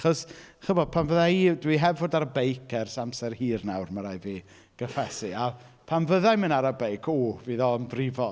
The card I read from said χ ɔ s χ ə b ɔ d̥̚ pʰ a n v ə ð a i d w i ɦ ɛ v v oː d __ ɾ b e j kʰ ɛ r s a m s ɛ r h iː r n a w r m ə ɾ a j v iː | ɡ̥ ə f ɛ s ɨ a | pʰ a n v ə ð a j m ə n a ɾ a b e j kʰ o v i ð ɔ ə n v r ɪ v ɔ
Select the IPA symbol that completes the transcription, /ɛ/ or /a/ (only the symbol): a